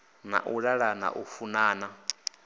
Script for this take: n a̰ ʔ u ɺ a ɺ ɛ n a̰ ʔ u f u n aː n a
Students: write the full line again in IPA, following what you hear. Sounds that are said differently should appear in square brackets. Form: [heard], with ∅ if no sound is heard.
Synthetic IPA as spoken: n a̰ ʔ u ɺ a ɺ [a] n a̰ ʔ u f u n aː n a